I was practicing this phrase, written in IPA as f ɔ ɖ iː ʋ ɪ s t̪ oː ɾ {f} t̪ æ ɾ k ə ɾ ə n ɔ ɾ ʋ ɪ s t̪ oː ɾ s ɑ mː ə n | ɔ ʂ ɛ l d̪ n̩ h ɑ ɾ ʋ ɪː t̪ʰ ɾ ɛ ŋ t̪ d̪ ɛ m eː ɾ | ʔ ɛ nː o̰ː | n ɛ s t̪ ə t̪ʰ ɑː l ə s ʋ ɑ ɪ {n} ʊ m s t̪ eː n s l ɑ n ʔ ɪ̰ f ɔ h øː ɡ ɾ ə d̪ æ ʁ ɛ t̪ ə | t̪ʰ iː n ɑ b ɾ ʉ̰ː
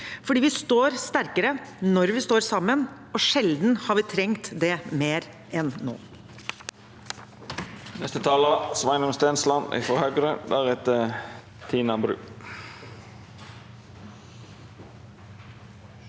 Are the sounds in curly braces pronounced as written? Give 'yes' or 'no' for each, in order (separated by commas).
no, yes